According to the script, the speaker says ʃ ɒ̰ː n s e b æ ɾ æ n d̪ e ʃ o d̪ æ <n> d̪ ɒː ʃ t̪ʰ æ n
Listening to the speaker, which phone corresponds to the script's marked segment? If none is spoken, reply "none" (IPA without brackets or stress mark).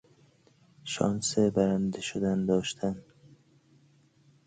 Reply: n